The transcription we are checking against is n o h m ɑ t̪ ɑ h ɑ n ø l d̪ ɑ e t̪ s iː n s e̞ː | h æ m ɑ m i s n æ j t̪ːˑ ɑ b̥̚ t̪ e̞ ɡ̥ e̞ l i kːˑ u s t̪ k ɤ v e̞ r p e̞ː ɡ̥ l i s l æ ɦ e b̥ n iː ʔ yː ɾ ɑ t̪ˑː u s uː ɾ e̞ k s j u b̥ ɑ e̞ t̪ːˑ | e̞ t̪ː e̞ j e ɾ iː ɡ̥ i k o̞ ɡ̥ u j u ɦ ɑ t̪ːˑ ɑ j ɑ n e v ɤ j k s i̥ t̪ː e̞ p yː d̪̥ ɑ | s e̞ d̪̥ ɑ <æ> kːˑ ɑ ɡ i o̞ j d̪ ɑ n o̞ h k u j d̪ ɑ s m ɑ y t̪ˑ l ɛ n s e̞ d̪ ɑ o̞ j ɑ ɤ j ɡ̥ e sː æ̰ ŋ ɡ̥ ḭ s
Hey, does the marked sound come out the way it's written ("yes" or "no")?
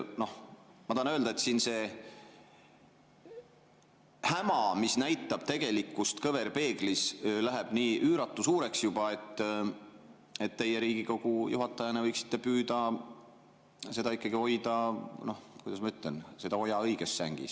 no